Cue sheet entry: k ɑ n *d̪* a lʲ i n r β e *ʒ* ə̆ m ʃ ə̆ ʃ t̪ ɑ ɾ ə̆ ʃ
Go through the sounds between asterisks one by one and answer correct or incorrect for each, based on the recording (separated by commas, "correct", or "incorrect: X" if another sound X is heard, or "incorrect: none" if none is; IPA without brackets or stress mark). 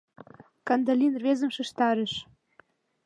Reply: correct, incorrect: z